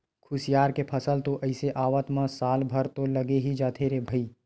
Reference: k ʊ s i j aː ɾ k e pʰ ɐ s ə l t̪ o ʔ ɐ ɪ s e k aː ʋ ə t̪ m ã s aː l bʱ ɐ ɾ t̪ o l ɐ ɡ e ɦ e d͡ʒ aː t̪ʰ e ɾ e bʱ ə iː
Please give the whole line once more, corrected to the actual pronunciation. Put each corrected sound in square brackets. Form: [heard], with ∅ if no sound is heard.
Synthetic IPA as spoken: [kʰ] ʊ s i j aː ɾ k e pʰ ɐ s ə l t̪ o ʔ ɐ ɪ s e [ʔ] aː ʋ ə t̪ m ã s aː l bʱ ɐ ɾ t̪ o l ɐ ɡ e ɦ [i] d͡ʒ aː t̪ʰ e ɾ e bʱ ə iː